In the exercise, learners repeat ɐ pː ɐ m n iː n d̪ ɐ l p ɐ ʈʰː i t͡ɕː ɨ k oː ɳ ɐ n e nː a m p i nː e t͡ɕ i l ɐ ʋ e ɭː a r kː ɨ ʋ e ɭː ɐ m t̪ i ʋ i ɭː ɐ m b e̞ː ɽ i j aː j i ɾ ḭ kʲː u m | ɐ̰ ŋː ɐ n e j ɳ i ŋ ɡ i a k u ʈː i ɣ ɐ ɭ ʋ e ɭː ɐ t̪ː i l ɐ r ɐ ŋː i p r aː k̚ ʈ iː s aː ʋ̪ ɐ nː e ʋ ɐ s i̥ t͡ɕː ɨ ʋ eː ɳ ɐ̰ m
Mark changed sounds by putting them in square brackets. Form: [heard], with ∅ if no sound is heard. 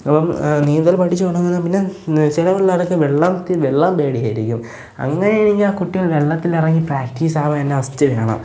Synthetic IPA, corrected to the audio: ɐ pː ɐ m n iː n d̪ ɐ l p ɐ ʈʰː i t͡ɕː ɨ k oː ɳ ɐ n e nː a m p i nː e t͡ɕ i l ɐ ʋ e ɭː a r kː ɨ ʋ e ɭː ɐ m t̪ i ʋ [e] ɭː ɐ m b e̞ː ɽ i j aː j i ɾ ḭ kʲː u m | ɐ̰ ŋː ɐ n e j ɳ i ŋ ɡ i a k u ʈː i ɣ ɐ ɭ ʋ e ɭː ɐ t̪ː i l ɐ r ɐ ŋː i p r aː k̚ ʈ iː s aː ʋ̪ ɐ nː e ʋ ɐ s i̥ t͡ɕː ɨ ʋ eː ɳ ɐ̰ m